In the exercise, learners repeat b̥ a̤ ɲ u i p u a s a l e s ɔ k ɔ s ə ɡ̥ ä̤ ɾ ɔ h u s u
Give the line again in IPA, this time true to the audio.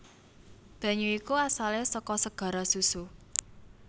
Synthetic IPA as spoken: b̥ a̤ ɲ u i k u a s a l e s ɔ k ɔ s ə ɡ̥ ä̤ ɾ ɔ s u s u